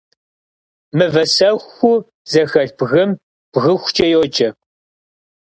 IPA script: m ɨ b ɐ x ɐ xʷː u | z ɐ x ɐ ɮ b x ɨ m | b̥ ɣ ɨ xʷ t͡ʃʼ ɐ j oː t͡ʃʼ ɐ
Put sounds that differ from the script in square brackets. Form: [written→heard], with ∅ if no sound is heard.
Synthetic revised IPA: m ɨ [b→v] ɐ [x→s] ɐ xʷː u | z ɐ x ɐ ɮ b [x→ɣ] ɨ m | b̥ ɣ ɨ xʷ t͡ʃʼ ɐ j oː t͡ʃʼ ɐ

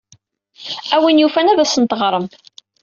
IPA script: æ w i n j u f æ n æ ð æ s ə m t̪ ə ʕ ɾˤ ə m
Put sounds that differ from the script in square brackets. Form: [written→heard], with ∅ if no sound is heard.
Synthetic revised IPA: æ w i n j u f æ n æ ð æ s ə [m→n] t̪ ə [ʕ→ʁ] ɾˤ ə m

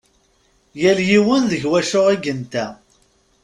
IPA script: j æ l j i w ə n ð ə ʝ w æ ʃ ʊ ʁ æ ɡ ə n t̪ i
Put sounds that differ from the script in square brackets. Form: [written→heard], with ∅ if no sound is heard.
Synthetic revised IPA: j æ l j i w ə n ð ə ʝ w æ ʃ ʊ ʁ [æ→i] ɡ ə n t̪ [i→æ]

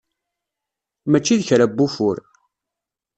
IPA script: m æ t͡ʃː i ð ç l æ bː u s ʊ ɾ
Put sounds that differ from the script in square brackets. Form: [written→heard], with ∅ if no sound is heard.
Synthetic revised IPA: m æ t͡ʃː i ð ç [l→ɾ] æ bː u [s→f] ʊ ɾ

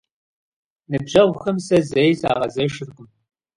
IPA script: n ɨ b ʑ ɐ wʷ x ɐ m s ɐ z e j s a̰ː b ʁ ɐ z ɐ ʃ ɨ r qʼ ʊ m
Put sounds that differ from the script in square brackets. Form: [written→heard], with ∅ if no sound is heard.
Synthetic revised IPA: n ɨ b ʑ ɐ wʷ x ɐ m s ɐ z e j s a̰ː [b→∅] ʁ ɐ z ɐ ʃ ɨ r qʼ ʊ m

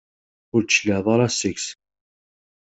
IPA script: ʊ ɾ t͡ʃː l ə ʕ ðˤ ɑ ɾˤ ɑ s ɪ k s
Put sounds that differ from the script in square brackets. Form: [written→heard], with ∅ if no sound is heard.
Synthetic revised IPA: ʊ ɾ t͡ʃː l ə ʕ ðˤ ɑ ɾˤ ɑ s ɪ k s

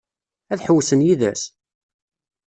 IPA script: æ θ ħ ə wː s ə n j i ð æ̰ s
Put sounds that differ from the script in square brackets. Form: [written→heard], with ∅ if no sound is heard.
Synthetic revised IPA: æ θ ħ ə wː s ə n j i ð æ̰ s

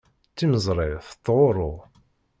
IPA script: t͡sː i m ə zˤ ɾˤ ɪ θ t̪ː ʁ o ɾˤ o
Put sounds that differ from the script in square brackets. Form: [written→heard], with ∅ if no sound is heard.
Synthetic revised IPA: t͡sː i m ə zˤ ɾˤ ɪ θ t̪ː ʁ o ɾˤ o

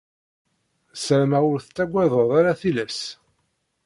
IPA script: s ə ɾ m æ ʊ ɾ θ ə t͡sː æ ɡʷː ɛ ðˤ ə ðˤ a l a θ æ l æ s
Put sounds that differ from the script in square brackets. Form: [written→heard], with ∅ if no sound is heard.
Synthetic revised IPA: s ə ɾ m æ ʊ ɾ θ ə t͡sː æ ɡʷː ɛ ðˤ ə ðˤ a [l→ɾ] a θ [æ→i] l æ s

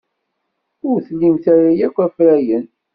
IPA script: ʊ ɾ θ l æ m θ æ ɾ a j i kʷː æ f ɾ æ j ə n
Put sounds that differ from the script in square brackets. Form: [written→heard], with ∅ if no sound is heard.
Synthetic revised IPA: ʊ ɾ θ l [æ→i] m θ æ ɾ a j [i→æ] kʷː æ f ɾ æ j ə n

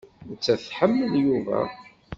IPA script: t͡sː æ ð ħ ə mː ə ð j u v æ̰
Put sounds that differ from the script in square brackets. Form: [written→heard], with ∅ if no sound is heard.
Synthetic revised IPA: t͡sː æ [ð→θ] ħ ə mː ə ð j u v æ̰

